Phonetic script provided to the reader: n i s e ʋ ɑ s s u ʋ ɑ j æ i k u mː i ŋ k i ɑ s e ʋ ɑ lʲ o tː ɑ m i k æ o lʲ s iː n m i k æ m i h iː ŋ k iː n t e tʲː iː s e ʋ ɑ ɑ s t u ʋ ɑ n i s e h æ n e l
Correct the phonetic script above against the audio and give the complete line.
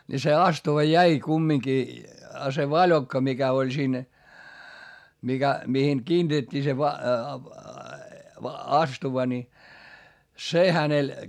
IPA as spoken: n i s e ɑ s t u ʋ ɑ j æ i k u mː i ŋ k i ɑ s e ʋ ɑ lʲ o kː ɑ m i k æ o lʲ s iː n m i k æ m i h i ŋ k iː n t e tʲː iː s e ʋ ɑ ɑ s t u ʋ ɑ n i s e h æ n e l